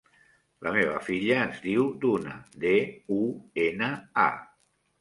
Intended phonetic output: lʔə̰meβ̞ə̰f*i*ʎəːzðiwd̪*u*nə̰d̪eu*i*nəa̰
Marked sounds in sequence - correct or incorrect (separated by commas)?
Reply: correct, correct, incorrect